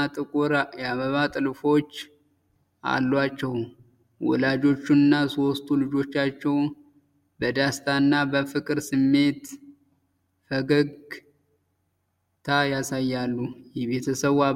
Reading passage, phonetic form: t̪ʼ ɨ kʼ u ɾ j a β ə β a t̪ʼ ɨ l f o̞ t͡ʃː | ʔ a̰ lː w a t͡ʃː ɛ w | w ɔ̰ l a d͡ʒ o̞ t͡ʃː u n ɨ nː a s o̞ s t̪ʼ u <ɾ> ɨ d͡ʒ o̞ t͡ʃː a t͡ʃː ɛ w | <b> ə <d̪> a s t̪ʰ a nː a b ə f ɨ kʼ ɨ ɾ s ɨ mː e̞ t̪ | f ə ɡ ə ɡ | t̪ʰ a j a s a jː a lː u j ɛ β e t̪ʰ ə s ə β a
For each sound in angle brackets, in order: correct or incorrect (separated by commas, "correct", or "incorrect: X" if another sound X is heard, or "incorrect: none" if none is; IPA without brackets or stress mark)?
incorrect: l, correct, correct